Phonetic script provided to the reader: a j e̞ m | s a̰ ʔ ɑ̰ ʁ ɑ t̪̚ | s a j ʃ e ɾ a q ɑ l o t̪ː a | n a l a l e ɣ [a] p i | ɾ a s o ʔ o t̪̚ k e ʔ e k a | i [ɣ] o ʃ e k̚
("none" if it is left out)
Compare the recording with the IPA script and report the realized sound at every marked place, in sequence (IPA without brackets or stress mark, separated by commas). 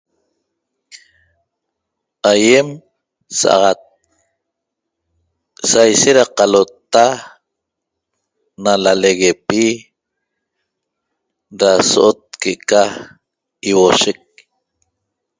e, w